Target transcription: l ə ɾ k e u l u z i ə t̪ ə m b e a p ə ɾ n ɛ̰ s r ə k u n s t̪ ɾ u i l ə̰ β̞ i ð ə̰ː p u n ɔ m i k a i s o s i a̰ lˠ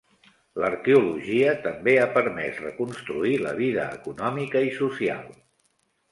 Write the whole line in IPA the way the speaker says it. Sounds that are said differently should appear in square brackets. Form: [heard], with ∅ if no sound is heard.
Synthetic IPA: l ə ɾ k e u l u [ʒ] i ə t̪ ə m b e a p ə ɾ [m] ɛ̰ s r ə k u n s t̪ ɾ u i l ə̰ β̞ i ð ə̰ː [k] u n ɔ m i k [ə] i s [u] s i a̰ lˠ